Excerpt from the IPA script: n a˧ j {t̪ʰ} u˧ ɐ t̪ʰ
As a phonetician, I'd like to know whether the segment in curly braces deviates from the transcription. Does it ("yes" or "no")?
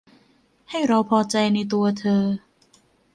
yes